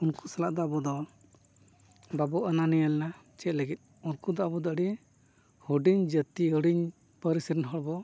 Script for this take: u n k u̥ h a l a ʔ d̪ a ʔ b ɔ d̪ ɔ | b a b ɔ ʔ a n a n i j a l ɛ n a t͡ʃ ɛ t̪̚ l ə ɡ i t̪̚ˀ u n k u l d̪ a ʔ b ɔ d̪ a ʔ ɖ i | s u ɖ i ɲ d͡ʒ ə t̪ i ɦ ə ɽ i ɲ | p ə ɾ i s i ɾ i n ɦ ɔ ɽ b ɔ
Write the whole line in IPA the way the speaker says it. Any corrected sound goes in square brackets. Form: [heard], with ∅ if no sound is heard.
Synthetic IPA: u n k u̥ [s] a l a ʔ d̪ a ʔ b ɔ d̪ ɔ | b a b ɔ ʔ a n a n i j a l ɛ n a t͡ʃ ɛ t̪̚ l ə ɡ i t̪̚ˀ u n k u [∅] d̪ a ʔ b ɔ d̪ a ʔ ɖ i | [h] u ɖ i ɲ d͡ʒ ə t̪ i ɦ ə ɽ i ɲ | p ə ɾ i s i ɾ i n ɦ ɔ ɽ b ɔ